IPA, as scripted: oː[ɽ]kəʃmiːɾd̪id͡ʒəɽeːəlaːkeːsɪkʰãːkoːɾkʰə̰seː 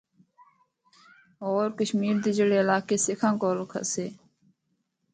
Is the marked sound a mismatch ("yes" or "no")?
yes